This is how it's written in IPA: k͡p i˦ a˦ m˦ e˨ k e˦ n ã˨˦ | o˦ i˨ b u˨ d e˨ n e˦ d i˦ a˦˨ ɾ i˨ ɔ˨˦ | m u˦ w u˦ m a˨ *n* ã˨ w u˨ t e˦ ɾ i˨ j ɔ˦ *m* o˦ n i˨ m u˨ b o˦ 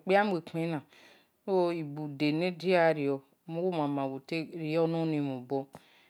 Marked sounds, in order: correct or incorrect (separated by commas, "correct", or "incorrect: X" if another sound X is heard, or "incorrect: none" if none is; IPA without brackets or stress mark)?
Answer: incorrect: m, incorrect: n